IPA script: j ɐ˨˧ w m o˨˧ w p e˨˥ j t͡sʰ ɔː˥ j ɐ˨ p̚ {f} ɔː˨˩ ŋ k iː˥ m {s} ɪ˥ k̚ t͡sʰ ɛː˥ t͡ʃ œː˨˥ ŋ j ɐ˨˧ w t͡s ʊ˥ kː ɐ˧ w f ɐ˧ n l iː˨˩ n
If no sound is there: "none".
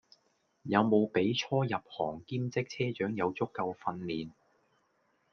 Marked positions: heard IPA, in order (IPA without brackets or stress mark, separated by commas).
h, t͡s